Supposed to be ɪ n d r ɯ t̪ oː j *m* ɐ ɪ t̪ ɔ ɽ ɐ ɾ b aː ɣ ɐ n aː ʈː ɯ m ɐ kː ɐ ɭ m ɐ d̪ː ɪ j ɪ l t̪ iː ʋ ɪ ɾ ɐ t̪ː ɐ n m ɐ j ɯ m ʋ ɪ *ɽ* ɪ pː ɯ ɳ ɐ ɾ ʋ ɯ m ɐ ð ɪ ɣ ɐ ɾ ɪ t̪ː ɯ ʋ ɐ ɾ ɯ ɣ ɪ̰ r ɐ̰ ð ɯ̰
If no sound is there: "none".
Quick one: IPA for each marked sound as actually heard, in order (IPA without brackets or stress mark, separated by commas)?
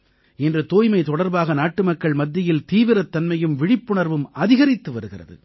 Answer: m, ɽ